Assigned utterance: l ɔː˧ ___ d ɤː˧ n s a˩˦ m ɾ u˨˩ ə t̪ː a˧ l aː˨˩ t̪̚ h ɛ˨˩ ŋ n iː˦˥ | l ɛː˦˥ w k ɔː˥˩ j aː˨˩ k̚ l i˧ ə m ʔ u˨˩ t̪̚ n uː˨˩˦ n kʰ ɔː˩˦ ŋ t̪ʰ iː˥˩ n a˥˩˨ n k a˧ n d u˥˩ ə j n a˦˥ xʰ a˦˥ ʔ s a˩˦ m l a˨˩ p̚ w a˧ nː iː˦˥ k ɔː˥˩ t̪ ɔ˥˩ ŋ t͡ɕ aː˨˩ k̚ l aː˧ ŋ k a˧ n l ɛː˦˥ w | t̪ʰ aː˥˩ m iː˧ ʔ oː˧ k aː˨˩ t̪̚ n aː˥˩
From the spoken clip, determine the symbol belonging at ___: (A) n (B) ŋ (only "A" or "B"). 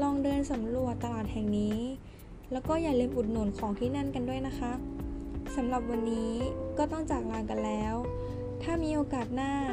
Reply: B